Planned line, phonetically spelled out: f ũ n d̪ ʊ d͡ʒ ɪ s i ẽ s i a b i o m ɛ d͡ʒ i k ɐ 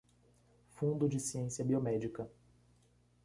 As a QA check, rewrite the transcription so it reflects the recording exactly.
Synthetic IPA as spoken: f ũ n d̪ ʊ d͡ʒ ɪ s i ẽ s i ɐ b i o m ɛ d͡ʒ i k ɐ